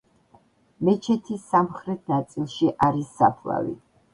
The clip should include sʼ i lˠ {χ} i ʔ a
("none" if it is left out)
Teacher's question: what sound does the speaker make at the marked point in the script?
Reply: ʃ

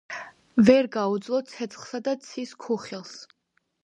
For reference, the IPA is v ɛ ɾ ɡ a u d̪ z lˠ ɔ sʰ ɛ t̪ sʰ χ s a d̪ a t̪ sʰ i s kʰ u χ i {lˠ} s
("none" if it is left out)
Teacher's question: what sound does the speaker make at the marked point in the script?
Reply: lˠ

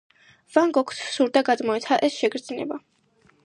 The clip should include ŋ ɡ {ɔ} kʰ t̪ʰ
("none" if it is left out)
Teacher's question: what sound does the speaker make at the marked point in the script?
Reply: ɔ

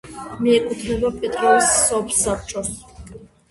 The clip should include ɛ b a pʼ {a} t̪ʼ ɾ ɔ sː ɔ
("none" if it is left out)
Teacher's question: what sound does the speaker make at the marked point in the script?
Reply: ɛ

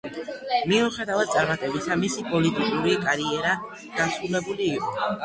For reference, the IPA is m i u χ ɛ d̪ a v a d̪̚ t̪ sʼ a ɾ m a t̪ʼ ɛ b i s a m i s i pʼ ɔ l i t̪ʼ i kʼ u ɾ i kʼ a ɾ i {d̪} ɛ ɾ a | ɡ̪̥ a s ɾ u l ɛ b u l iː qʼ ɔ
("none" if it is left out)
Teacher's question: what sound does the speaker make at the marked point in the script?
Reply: none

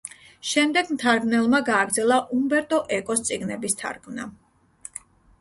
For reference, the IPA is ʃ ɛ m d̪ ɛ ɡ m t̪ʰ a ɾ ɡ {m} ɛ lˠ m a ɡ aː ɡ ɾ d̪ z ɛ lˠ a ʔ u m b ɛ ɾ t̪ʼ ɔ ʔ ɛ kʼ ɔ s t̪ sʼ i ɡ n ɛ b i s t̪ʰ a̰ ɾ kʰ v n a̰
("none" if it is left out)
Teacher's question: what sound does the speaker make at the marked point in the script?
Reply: n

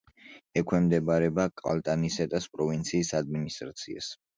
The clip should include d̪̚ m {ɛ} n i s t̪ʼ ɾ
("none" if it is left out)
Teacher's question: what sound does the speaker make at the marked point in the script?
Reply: i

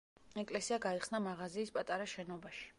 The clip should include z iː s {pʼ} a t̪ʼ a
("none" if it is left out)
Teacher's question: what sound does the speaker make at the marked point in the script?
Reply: pʼ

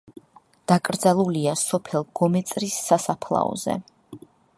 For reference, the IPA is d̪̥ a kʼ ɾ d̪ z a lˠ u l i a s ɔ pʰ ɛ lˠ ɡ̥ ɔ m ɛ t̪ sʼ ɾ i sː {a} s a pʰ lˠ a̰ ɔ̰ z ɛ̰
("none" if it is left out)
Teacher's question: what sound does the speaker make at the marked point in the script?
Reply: a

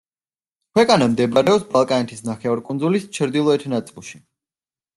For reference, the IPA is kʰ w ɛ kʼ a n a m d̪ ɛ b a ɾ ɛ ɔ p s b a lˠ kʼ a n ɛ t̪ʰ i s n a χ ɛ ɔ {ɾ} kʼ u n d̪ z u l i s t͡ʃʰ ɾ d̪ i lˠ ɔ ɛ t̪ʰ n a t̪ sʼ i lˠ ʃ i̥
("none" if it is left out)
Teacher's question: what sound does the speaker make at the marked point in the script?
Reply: ɾ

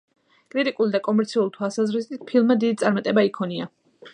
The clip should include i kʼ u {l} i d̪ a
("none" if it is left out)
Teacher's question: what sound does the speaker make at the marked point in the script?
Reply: l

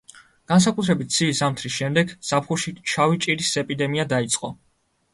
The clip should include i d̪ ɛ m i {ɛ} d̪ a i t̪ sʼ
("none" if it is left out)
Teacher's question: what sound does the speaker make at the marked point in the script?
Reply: a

